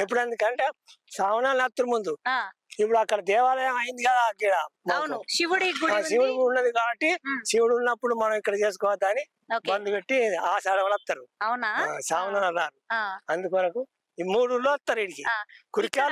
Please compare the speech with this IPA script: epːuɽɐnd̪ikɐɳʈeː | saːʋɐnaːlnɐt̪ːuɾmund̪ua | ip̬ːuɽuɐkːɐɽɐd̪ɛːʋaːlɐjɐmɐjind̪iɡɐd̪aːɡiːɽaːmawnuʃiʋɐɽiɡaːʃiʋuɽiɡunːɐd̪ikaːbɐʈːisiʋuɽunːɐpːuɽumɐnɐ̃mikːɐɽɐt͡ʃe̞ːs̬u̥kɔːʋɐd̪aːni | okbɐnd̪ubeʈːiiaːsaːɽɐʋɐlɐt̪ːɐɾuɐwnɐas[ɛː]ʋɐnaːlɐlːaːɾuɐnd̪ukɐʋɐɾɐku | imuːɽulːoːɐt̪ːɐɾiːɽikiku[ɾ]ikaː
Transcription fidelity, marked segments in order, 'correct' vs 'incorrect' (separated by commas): incorrect, correct